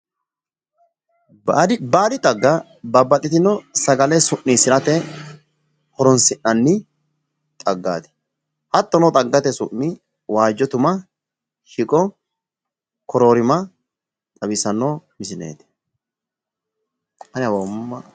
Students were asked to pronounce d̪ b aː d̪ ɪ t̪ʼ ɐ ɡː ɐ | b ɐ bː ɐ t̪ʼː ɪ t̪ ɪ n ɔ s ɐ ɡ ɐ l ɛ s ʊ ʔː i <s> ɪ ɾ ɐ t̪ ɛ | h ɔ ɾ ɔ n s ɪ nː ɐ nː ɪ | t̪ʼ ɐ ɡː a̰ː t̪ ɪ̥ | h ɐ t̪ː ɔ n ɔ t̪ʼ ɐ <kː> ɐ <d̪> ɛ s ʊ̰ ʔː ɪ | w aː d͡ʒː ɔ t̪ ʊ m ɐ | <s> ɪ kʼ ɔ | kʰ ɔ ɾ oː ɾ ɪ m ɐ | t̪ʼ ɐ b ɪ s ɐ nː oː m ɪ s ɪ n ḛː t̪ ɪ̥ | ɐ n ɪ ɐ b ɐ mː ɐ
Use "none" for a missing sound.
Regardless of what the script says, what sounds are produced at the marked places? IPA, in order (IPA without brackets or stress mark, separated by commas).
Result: s, ɡː, t̪, h